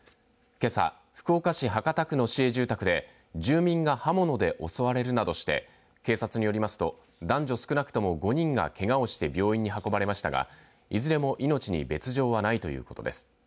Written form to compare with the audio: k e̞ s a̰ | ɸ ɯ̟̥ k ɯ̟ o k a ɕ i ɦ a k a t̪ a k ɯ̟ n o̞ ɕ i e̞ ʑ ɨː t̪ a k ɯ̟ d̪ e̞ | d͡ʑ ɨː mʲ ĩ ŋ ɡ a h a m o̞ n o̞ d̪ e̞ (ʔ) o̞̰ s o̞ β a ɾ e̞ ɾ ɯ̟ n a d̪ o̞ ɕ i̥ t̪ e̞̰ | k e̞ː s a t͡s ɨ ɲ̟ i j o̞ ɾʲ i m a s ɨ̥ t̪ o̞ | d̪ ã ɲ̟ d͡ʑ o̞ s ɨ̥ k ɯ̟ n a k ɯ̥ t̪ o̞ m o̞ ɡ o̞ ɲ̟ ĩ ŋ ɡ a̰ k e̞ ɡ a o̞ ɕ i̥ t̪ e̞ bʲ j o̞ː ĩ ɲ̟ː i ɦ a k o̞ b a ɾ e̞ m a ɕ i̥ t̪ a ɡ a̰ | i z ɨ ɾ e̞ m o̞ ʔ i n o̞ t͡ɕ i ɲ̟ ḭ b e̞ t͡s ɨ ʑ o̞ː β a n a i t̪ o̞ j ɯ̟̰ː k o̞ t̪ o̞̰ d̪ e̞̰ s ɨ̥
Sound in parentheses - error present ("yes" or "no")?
no